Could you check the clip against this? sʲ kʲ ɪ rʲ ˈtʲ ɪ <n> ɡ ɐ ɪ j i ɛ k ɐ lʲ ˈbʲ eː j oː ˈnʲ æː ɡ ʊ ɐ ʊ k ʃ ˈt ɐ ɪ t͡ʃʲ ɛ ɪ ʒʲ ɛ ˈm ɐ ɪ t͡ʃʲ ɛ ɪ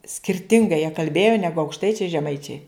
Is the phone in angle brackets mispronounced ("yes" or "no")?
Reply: yes